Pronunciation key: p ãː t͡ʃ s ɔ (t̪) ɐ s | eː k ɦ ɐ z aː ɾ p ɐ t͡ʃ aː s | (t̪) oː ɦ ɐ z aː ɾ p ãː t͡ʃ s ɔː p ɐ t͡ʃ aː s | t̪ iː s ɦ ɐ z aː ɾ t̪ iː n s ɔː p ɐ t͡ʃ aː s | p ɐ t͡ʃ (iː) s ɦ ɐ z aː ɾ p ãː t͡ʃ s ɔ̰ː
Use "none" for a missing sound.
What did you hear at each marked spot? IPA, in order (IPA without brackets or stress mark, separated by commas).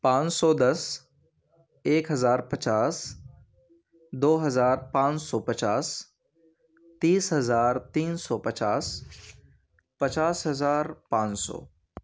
d̪, d̪, aː